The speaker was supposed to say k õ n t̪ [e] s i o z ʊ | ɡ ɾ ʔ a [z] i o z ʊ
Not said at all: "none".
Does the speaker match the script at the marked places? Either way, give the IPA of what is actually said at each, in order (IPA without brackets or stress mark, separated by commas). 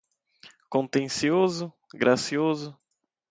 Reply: ẽ, s